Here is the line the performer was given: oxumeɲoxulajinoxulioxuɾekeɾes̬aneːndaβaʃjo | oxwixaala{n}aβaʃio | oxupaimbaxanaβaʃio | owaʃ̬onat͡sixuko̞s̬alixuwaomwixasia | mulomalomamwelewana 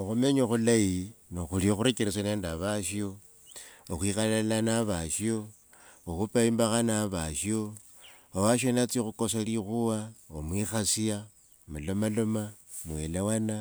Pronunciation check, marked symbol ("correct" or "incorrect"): correct